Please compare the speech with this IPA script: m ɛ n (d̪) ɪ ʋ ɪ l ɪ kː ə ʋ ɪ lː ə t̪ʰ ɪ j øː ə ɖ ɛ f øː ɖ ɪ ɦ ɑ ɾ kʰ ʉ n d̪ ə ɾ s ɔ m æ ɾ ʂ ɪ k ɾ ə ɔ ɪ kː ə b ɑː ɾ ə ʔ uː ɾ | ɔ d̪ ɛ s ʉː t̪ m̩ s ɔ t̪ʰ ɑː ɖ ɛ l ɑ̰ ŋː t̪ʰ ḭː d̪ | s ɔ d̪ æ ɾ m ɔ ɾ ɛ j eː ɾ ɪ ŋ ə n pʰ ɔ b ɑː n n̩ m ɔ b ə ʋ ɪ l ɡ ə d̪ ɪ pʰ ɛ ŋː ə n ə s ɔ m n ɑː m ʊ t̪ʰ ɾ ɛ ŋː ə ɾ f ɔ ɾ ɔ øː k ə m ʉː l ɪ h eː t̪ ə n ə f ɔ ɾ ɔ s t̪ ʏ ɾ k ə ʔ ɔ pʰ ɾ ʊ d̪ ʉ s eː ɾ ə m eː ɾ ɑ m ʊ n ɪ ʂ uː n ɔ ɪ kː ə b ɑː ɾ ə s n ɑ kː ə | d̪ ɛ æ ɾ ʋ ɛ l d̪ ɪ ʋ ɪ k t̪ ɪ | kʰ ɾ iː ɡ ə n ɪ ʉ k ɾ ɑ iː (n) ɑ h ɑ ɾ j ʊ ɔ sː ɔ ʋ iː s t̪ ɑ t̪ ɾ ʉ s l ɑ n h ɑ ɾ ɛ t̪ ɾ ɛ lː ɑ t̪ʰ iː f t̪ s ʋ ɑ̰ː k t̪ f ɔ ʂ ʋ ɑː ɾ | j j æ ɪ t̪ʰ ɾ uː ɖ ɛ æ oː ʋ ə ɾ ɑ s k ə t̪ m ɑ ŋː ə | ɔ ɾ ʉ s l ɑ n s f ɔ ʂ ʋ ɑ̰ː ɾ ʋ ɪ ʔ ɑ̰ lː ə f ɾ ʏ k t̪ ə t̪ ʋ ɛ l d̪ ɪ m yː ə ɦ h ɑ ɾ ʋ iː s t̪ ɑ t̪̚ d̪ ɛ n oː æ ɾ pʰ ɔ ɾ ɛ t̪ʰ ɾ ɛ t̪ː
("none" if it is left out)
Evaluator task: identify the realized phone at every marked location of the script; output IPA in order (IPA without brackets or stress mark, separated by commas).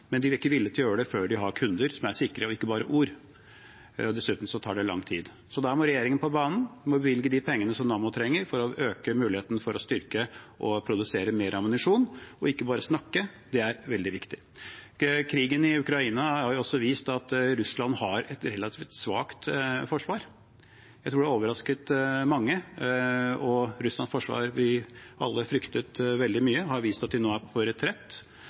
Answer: d̪, n